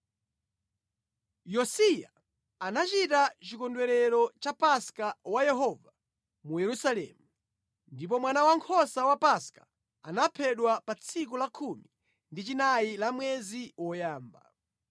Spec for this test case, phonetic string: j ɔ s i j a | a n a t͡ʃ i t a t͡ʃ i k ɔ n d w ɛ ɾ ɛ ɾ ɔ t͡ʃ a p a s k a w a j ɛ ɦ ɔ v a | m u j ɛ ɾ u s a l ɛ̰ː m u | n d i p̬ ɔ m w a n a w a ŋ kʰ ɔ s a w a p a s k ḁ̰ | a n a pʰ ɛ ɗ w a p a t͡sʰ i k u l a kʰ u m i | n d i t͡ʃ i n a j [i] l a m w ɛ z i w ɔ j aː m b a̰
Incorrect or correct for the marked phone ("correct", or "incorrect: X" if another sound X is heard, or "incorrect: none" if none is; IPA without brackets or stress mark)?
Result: correct